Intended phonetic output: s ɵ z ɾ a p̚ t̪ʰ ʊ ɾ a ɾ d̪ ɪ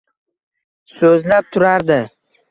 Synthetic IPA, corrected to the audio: s ɵ z l a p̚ t̪ʰ ʊ ɾ a ɾ d̪ ɪ